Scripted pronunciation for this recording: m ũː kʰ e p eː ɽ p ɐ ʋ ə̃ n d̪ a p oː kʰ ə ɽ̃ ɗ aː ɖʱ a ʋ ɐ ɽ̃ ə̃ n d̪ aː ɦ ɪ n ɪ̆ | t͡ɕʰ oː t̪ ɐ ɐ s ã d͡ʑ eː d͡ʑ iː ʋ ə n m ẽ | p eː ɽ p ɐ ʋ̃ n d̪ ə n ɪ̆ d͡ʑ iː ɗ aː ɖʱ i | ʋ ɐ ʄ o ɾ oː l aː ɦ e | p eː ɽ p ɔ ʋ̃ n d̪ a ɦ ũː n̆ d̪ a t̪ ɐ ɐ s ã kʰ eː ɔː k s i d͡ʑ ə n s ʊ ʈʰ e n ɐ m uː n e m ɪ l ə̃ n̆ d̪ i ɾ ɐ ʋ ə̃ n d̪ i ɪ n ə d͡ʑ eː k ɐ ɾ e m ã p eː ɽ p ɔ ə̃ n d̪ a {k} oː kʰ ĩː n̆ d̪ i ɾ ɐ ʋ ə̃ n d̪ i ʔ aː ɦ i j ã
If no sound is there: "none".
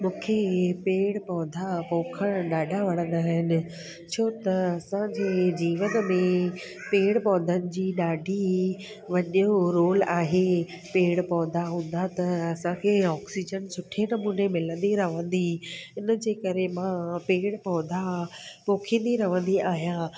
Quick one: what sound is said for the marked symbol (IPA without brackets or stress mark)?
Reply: p